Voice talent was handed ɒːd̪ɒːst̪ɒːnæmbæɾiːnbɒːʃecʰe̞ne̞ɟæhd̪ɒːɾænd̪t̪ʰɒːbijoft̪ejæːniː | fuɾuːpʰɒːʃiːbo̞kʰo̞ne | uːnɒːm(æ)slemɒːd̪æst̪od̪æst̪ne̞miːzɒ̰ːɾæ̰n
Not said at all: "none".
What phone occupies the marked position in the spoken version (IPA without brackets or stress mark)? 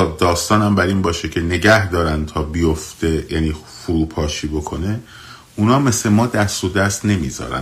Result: e